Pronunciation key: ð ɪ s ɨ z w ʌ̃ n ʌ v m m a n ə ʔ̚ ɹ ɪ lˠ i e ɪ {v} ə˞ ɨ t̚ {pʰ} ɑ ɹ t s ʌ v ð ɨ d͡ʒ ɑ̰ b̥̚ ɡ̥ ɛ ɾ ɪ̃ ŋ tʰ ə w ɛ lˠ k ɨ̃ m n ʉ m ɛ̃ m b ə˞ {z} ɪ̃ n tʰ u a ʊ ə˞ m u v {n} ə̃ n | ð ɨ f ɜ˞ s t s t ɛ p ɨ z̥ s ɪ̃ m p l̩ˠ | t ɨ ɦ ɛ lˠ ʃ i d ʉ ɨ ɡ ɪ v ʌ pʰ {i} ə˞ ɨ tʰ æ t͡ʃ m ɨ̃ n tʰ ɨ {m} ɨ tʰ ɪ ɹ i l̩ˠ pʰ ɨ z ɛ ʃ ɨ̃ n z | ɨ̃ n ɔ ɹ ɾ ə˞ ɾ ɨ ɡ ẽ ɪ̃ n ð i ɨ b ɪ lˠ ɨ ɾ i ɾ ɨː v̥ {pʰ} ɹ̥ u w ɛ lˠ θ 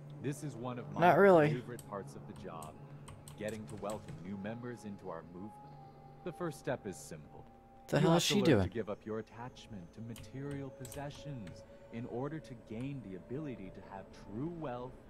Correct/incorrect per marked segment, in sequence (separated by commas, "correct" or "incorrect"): correct, correct, correct, incorrect, incorrect, correct, incorrect